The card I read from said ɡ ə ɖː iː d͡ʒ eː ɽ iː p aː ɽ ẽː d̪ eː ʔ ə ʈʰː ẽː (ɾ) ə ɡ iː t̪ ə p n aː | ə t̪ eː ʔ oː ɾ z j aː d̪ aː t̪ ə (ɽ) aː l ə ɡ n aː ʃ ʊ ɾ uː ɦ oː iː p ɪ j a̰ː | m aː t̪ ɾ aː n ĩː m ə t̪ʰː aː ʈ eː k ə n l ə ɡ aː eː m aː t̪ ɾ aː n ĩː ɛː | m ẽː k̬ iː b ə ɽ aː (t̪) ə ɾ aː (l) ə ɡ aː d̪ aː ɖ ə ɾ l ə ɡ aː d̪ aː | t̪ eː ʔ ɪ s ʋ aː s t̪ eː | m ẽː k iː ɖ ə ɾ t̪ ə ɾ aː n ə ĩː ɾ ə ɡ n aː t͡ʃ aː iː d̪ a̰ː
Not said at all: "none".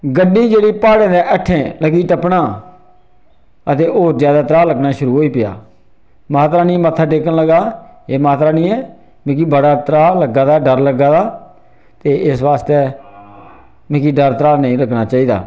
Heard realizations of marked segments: l, ɾ, t̪, l

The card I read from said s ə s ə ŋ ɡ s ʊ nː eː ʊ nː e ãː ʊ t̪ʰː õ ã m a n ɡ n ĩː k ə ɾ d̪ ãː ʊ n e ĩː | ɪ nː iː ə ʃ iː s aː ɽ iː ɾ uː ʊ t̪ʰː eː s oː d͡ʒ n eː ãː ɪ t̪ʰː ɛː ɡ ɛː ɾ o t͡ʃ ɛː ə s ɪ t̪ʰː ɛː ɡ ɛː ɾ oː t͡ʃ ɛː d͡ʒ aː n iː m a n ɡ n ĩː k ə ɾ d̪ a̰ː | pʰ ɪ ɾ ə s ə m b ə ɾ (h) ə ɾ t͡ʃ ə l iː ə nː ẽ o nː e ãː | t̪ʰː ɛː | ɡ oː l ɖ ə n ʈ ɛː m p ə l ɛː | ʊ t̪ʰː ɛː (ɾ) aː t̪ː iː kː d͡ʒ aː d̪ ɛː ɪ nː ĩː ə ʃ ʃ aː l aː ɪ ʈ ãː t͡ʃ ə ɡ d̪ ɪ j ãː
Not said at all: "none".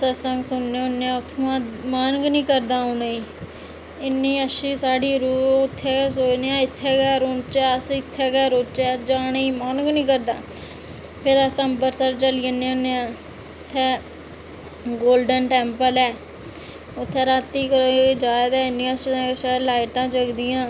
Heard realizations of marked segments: s, ɾ

